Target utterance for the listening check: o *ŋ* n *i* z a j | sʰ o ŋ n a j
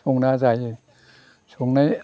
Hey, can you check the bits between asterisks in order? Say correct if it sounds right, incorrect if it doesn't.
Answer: correct, incorrect

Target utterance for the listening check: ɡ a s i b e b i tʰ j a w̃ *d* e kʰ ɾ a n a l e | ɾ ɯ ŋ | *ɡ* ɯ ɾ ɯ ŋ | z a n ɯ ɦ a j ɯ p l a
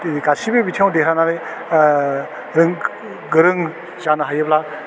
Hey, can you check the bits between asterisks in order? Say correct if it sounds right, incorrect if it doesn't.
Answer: correct, correct

